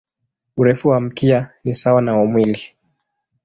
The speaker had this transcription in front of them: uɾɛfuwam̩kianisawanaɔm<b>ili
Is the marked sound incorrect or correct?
incorrect